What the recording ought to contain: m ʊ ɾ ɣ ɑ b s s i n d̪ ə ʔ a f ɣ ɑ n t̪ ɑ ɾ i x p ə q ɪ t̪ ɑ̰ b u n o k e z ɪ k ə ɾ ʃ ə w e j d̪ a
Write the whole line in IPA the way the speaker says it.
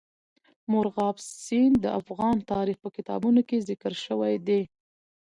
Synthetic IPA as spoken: m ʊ ɾ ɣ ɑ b s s i n d̪ ə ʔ a f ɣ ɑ n t̪ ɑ ɾ i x p ə k ɪ t̪ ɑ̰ b u n o k e z ɪ k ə ɾ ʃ ə w a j d̪ e